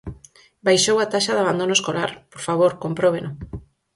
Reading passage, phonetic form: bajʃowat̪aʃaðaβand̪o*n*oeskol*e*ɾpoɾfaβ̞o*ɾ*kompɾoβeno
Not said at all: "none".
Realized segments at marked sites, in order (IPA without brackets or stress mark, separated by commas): n, a, ɾ